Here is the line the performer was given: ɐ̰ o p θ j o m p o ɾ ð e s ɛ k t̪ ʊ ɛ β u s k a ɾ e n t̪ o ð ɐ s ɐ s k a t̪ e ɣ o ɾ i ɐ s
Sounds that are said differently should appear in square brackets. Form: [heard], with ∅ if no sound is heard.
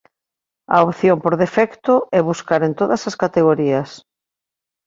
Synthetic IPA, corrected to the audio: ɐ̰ o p θ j o m p o ɾ ð e [f] ɛ k t̪ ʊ ɛ β u s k a ɾ e n t̪ o ð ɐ s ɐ s k a t̪ e ɣ o ɾ i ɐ s